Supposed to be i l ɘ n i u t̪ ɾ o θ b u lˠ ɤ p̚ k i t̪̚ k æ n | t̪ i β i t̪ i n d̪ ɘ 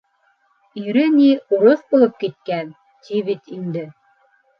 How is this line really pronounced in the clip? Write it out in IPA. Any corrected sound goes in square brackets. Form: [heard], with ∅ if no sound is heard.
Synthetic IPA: i [ɾ] ɘ n i u [∅] ɾ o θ b u lˠ ɤ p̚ k i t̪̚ k æ n | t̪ i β i t̪ i n d̪ ɘ